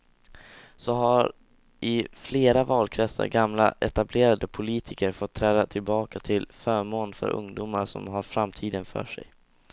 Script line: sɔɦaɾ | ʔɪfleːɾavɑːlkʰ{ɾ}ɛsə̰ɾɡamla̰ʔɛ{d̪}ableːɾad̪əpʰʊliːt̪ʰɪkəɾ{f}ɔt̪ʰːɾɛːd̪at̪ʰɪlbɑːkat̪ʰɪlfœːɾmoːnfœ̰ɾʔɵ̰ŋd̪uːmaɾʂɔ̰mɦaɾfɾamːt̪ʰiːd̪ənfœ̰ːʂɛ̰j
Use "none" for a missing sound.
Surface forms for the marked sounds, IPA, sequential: ɾ, t̪, f

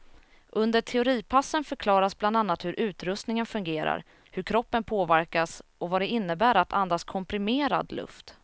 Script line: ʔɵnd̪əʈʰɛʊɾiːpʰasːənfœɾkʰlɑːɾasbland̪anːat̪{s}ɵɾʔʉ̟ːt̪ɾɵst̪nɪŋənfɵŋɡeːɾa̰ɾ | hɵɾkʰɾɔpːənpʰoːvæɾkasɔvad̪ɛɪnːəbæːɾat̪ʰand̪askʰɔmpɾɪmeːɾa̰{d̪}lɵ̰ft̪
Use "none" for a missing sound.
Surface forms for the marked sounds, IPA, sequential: h, d̪

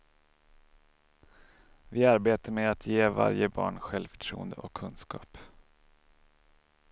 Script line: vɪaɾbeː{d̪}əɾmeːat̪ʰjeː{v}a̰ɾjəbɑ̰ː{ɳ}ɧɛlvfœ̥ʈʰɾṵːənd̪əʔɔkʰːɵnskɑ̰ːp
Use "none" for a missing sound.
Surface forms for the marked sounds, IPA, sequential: t̪, v, ɳ

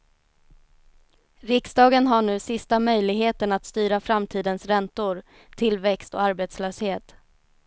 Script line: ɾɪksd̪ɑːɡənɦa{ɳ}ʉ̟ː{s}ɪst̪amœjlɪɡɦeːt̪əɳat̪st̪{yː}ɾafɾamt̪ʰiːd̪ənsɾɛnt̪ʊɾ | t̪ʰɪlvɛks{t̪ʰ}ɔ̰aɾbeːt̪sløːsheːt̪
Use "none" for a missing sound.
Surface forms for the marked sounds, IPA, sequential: ɳ, s, yː, t̪

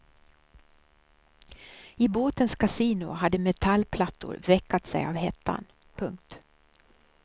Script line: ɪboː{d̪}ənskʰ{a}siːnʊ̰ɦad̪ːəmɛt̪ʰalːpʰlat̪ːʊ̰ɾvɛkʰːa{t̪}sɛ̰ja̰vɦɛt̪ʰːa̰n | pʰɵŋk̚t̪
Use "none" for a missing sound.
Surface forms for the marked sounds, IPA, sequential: t̪, a, t̪

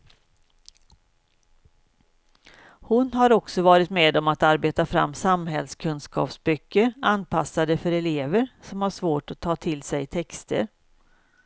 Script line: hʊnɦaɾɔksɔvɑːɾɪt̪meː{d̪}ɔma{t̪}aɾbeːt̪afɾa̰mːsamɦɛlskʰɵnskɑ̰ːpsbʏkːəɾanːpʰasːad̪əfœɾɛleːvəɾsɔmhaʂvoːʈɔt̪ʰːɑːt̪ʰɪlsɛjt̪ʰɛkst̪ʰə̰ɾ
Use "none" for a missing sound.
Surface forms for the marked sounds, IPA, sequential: d̪, t̪

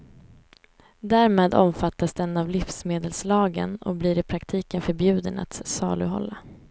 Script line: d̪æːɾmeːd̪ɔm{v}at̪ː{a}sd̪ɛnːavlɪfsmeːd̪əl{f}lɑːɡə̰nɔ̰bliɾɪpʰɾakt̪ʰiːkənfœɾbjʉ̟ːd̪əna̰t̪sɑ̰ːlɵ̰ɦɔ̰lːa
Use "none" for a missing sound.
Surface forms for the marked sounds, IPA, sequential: f, a, s

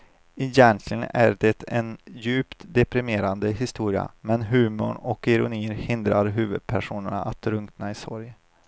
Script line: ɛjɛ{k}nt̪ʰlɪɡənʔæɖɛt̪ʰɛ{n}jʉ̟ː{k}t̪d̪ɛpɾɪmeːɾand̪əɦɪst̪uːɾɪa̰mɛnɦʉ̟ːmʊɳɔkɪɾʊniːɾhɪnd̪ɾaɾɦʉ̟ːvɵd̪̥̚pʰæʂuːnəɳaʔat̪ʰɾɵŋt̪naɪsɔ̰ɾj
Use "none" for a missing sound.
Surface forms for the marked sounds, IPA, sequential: none, n, p

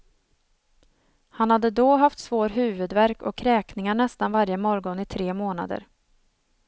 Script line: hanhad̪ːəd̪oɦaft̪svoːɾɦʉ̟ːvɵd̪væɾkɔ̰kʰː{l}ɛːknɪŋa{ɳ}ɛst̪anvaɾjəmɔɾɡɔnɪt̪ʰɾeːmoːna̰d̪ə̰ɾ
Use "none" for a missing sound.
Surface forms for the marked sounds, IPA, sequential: ɾ, ɳ

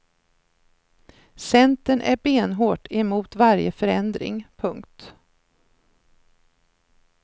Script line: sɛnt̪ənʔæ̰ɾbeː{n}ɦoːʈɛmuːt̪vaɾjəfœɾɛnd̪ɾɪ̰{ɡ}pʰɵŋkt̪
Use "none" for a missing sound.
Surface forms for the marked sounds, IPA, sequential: n, ŋ

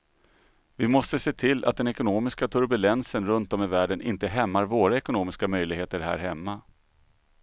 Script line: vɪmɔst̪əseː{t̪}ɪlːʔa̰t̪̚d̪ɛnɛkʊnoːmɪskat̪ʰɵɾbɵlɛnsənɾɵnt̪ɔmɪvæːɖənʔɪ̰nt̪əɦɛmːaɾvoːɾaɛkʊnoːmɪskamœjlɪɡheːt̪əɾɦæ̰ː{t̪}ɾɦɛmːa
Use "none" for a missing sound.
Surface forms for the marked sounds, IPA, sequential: t̪ʰ, none

